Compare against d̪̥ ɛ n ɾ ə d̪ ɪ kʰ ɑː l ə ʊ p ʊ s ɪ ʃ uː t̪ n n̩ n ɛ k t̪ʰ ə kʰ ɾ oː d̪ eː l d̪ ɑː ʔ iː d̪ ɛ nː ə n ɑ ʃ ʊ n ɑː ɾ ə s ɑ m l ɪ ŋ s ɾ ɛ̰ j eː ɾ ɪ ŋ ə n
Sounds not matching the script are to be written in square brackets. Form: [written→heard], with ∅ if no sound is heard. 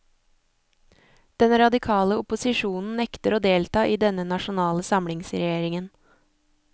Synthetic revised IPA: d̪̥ ɛ n ɾ [ə→ɑ] d̪ ɪ kʰ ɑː l ə ʊ p ʊ s ɪ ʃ uː [t̪→∅] n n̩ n ɛ k [t̪ʰ→t̪] ə [kʰ→∅] ɾ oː d̪ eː l [d̪→t̪] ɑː ʔ iː d̪ ɛ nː ə n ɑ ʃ ʊ n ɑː [ɾ→l] ə s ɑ m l ɪ ŋ s ɾ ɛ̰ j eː ɾ ɪ ŋ ə n